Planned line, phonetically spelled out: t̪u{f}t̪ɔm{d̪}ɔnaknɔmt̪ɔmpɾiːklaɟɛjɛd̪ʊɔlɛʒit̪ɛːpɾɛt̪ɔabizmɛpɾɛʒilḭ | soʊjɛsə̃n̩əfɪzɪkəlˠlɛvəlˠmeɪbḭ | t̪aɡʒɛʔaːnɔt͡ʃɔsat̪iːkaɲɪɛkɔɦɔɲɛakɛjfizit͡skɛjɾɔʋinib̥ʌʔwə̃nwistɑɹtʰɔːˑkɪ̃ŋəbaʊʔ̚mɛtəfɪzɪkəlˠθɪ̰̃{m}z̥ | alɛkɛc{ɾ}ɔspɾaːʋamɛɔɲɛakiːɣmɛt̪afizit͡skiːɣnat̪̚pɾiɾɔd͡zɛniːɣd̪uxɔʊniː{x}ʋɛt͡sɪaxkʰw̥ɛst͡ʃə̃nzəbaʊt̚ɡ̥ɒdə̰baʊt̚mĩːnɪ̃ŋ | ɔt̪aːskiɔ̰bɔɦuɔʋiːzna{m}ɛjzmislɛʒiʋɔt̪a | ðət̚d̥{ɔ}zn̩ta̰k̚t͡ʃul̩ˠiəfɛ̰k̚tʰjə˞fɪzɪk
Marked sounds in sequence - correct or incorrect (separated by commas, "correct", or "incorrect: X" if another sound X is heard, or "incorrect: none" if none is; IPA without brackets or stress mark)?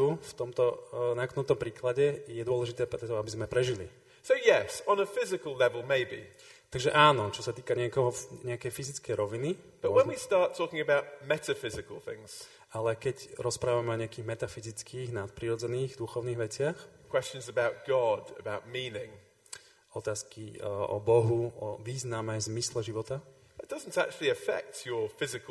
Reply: correct, incorrect: t̪, incorrect: ŋ, correct, incorrect: ɣ, correct, incorrect: ʌ